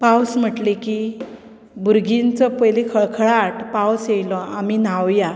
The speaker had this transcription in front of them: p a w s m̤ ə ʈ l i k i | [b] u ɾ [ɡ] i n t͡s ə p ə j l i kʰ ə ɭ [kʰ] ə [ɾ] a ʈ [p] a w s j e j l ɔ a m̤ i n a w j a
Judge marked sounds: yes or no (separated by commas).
yes, yes, yes, no, yes